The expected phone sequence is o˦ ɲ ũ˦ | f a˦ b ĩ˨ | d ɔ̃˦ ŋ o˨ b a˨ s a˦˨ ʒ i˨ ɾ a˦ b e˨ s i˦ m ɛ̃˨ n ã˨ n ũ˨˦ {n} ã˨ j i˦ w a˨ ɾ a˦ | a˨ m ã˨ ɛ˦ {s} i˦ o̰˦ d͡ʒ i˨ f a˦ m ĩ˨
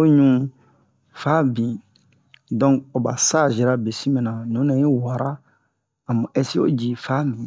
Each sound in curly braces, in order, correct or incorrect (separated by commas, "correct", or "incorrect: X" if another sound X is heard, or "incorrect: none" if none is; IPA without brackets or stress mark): correct, correct